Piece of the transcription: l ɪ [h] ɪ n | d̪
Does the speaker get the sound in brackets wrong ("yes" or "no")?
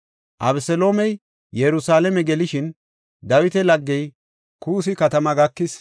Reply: yes